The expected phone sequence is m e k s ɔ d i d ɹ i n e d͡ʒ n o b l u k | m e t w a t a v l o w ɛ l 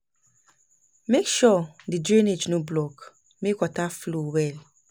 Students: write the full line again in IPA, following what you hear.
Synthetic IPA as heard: m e k ʃ ɔ d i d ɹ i n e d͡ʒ n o b l ɔ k | m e k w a t a f l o w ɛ l